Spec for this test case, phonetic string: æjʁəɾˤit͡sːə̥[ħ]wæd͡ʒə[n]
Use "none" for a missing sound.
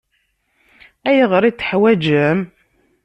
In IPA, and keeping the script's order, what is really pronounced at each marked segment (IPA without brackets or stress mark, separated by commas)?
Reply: ħ, m